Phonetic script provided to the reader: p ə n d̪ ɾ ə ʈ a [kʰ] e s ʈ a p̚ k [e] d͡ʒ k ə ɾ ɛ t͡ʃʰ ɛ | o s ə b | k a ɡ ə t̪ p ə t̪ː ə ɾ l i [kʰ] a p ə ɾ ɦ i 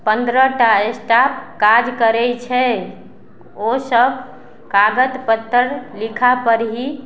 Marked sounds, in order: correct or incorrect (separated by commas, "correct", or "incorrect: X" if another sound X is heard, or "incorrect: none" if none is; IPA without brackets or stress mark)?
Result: incorrect: none, incorrect: a, correct